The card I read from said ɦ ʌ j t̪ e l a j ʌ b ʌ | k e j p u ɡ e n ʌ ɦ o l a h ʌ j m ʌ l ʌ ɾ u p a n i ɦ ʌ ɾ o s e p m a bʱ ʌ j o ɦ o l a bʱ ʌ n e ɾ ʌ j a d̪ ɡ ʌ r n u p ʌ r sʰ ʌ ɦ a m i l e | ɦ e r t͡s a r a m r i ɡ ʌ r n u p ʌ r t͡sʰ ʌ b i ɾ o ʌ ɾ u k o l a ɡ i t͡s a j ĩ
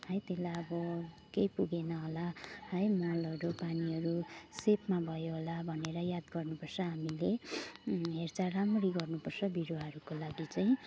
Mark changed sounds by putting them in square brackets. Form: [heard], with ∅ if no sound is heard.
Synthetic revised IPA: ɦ ʌ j t̪ e l a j ʌ b ʌ | k e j p u ɡ e n ʌ ɦ o l a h ʌ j m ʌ l ʌ ɾ u p a n i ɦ ʌ ɾ [u] s e p m a bʱ ʌ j o ɦ o l a bʱ ʌ n e ɾ ʌ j a d̪ ɡ ʌ r n u p ʌ r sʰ ʌ ɦ a m i l e | ɦ e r t͡s a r a m r i ɡ ʌ r n u p ʌ r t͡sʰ ʌ b i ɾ o ʌ ɾ u k o l a ɡ i t͡s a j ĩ